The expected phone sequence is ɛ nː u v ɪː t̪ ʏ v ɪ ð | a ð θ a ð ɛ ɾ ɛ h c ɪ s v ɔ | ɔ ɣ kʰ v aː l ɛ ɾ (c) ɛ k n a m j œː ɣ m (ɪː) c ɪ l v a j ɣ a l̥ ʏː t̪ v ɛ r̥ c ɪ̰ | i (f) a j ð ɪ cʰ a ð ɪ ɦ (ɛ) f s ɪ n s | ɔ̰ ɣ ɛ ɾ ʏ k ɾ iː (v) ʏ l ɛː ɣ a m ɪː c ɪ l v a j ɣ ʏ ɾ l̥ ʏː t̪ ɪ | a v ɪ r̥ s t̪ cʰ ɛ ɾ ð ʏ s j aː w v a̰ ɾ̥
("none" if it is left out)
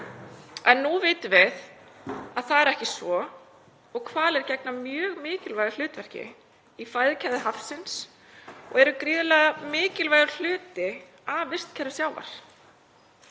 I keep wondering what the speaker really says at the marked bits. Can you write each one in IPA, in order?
c, ɪː, f, a, ð

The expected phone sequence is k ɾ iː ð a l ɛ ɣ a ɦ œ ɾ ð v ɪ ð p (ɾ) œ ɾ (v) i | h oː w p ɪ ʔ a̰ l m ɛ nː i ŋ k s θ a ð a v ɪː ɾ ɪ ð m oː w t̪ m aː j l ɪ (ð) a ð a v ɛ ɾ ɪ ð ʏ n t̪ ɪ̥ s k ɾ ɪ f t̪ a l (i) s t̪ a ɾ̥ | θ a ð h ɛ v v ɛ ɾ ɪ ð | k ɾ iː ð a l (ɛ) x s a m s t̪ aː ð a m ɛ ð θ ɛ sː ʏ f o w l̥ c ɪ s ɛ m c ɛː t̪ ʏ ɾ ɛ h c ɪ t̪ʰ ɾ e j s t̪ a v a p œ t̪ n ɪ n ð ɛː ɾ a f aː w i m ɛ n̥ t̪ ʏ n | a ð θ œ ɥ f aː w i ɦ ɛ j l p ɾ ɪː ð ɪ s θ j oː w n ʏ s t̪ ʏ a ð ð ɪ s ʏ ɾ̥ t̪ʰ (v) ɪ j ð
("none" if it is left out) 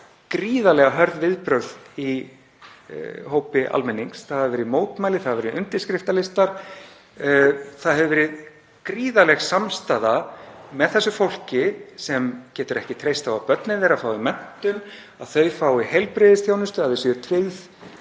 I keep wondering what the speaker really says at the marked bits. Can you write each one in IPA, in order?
ɾ, ð, θ, ɪ, ɛ, v

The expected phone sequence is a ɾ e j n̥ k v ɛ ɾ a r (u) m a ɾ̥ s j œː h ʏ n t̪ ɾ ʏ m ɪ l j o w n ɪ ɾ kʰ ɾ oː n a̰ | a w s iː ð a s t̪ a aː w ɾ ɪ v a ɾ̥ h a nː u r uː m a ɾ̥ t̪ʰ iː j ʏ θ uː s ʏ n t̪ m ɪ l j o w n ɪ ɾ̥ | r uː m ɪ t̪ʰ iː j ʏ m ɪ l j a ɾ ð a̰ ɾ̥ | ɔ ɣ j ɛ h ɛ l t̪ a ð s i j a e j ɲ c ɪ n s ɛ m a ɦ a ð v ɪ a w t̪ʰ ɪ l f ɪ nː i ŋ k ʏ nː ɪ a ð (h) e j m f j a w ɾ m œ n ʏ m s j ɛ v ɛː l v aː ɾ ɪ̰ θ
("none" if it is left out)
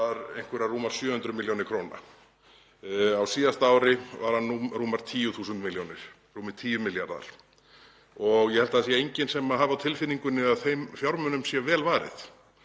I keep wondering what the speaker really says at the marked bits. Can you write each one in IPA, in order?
uː, θ

